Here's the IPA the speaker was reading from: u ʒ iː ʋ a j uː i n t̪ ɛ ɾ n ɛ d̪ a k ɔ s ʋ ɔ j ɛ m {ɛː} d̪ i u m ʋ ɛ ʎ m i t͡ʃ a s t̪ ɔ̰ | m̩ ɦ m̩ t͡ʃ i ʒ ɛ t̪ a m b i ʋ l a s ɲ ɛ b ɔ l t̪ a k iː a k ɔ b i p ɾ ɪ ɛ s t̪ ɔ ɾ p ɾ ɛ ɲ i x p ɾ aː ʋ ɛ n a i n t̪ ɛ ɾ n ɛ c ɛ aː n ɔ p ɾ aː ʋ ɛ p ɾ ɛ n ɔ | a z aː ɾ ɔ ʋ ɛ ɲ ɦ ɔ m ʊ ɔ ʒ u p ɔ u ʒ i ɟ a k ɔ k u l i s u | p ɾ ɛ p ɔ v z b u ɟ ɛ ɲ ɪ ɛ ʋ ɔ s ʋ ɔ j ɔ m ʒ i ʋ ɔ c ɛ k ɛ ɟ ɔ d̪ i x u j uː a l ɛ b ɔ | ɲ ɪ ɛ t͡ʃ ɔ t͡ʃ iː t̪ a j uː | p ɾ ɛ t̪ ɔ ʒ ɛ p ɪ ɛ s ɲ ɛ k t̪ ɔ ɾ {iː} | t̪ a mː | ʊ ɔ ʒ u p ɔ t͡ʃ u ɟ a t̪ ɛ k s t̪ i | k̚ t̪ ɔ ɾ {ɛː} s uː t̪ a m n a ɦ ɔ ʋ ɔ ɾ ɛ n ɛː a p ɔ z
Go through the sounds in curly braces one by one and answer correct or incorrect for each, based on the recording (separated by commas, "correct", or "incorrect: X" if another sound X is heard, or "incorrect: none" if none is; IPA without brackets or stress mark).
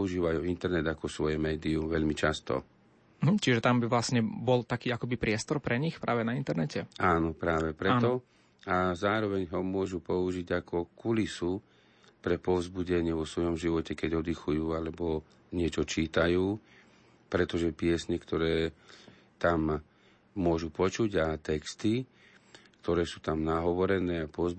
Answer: correct, incorrect: ɛː, correct